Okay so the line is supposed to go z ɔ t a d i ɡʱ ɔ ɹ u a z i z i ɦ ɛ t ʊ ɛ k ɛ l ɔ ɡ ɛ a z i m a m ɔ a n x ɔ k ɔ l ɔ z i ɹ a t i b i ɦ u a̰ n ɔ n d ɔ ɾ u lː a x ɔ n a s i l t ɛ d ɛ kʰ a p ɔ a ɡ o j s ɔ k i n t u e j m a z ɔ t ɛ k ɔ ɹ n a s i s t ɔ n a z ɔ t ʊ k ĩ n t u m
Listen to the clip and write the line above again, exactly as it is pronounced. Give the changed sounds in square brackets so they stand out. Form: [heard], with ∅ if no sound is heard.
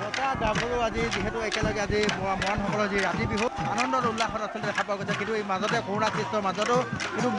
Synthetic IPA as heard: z ɔ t a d [a] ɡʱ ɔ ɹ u a z i z i ɦ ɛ t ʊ ɛ k ɛ l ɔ ɡ ɛ a z i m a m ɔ a n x ɔ k ɔ l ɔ z i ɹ a t i b i ɦ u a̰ n ɔ n d ɔ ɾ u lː a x ɔ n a s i l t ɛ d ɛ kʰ a p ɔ a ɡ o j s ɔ k i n t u e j m a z ɔ t ɛ k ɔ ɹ n a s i s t ɔ [m] a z ɔ t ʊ k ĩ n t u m

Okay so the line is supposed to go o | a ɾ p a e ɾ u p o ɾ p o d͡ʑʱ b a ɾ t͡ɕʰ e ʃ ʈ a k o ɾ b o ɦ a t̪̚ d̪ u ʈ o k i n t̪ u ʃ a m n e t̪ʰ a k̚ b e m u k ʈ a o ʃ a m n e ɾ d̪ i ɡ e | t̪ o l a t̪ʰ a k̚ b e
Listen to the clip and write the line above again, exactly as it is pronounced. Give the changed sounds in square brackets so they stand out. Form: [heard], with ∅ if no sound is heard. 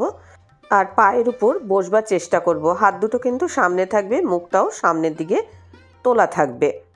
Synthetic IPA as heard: o | a ɾ p a e ɾ u p o ɾ [b] o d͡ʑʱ b a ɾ [t͡ɕ] e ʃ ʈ a k o ɾ b o ɦ a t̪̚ d̪ u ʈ o k i n t̪ u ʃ a m n e t̪ʰ a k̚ b e m u k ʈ a o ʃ a m n e ɾ d̪ i ɡ e | t̪ o l a t̪ʰ a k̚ b e

